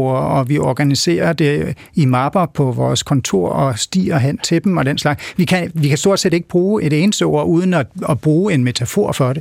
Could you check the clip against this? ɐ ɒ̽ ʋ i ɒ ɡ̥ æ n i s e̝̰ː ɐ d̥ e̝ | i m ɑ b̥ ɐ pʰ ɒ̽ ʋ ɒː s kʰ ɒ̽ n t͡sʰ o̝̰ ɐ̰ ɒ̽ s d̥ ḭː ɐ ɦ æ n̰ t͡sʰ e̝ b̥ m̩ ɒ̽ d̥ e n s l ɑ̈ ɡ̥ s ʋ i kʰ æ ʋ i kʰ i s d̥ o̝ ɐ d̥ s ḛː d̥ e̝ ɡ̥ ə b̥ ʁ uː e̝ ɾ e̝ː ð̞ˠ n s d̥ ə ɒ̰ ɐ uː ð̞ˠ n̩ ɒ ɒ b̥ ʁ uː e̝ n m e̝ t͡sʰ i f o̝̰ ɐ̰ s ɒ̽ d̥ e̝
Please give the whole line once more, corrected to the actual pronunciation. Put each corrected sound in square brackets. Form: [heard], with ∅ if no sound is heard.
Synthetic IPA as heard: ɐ ɒ̽ ʋ i ɒ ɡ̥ æ n i s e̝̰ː ɐ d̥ e̝ | i m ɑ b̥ ɐ pʰ ɒ̽ ʋ ɒː s kʰ ɒ̽ n t͡sʰ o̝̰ ɐ̰ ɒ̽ s d̥ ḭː ɐ ɦ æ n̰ t͡sʰ e̝ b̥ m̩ ɒ̽ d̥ e n s l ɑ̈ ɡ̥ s ʋ i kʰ æ ʋ i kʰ [æ] s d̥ o̝ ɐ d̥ s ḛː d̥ e̝ ɡ̥ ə b̥ ʁ uː e̝ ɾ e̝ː [∅] n s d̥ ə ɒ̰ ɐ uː ð̞ˠ n̩ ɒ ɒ b̥ ʁ uː e̝ n m e̝ t͡sʰ [æ] f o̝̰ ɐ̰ [f] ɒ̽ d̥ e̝